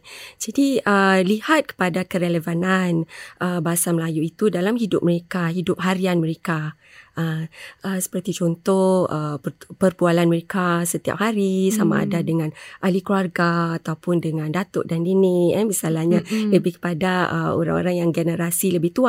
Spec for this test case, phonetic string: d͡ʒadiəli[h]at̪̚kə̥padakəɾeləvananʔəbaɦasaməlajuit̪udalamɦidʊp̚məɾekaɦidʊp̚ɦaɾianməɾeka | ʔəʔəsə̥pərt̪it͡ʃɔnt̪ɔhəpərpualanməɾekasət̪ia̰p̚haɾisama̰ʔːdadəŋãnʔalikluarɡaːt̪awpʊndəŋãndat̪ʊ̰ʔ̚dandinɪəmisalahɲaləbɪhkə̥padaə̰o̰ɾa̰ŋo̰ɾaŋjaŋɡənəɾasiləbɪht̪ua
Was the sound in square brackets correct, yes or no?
yes